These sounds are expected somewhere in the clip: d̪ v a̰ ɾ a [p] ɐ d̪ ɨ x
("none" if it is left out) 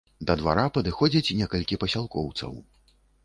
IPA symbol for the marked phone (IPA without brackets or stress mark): p